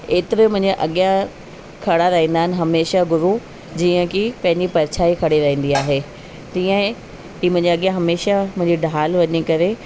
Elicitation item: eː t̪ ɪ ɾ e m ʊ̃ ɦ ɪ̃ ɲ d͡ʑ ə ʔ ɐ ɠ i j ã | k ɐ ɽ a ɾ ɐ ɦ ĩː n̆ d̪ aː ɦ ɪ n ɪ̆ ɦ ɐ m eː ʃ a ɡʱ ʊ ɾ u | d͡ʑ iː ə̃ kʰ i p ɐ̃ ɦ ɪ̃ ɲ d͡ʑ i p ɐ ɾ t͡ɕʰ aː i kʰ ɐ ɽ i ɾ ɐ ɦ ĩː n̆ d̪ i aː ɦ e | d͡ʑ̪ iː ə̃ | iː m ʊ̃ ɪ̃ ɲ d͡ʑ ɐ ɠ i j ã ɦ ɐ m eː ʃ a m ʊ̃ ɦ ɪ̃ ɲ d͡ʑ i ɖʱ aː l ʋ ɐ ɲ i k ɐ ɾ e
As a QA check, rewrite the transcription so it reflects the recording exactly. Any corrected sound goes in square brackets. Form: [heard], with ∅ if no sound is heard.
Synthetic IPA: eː t̪ ɪ ɾ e m ʊ̃ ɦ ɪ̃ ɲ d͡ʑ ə ʔ ɐ ɠ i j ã | [kʰ] ɐ ɽ a ɾ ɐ ɦ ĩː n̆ d̪ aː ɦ ɪ n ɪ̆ ɦ ɐ m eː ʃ a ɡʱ ʊ ɾ u | d͡ʑ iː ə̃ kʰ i p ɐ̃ ɦ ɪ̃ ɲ d͡ʑ i p ɐ ɾ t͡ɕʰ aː i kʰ ɐ ɽ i ɾ ɐ ɦ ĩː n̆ d̪ i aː ɦ e | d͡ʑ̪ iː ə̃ | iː m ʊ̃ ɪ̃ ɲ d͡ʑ ɐ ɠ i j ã ɦ ɐ m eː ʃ a m ʊ̃ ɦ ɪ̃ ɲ d͡ʑ i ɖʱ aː l ʋ ɐ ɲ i k ɐ ɾ e